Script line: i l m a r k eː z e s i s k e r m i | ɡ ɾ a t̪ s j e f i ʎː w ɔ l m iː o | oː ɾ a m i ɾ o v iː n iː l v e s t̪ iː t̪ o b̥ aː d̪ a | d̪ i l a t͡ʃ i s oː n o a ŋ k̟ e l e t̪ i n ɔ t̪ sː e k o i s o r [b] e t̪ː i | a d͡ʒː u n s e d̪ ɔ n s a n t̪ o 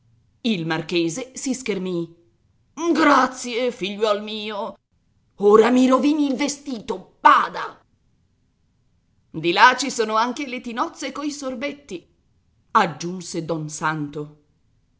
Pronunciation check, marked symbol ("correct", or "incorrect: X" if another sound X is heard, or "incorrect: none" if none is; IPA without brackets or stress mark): correct